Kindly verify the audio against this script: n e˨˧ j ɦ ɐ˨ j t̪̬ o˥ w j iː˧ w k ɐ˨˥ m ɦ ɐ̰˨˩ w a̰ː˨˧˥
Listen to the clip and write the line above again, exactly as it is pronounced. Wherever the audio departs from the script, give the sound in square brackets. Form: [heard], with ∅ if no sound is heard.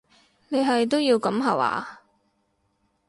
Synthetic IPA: n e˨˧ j ɦ ɐ˨ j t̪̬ o˥ w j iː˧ w k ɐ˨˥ m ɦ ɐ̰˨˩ w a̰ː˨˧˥